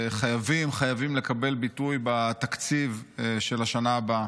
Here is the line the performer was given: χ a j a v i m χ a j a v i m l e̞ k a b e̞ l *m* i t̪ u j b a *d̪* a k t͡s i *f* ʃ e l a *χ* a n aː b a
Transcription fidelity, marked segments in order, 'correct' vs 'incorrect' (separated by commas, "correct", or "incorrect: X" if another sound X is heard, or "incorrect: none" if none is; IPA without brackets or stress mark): incorrect: b, incorrect: t̪, incorrect: v, incorrect: ʃ